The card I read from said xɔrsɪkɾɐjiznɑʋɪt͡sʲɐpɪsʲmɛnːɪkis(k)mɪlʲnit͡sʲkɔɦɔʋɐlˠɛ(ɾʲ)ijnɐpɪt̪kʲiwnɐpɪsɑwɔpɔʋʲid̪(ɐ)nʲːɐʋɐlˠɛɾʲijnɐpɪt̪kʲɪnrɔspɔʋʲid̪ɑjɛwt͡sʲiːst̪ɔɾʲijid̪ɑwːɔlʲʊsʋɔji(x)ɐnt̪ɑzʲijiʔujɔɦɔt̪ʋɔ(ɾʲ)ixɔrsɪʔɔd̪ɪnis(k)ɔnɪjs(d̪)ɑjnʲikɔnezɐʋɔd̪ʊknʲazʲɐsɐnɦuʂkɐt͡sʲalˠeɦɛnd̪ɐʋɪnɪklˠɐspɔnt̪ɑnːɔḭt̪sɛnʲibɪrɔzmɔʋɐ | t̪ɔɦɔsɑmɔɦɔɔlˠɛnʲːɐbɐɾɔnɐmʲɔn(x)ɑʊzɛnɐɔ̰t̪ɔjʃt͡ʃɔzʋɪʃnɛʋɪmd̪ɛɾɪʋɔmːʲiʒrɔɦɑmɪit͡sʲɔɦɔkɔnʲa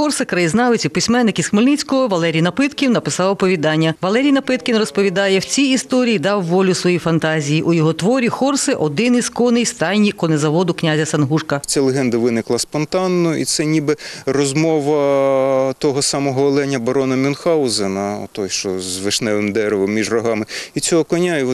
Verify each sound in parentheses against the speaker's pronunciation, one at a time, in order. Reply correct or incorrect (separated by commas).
incorrect, correct, incorrect, incorrect, correct, correct, incorrect, correct